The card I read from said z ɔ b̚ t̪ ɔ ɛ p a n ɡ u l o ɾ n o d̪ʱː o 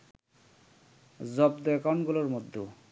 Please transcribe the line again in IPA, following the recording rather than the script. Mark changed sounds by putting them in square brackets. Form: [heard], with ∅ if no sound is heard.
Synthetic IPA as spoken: z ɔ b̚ [d̪] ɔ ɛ [k] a n ɡ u l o ɾ [m] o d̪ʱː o